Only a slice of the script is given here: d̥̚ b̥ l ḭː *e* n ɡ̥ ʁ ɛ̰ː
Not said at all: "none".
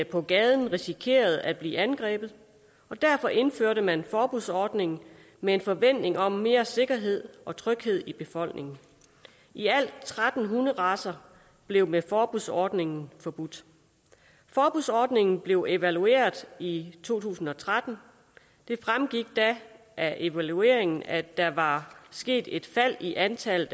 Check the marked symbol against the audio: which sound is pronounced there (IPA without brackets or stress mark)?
æ